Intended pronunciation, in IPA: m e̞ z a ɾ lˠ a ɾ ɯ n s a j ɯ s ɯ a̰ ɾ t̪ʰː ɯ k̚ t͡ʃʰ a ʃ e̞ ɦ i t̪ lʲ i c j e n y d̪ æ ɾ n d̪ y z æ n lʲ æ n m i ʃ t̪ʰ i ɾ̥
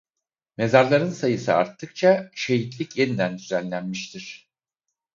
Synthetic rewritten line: m e̞ z a ɾ lˠ a ɾ ɯ n s a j ɯ s ɯ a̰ ɾ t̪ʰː ɯ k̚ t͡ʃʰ a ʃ e̞ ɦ i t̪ lʲ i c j e n i d̪ æ n d̪ y z æ n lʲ æ n m i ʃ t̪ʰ i ɾ̥

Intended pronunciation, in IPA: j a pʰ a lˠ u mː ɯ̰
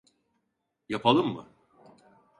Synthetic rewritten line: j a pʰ a lˠ ɯ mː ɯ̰

